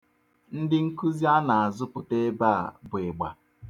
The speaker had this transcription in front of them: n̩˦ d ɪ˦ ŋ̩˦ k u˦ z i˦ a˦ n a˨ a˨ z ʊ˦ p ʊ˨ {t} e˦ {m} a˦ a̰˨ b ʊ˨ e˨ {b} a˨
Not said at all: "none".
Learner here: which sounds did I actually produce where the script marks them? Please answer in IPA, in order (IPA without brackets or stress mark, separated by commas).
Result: t, b, ɡ͡b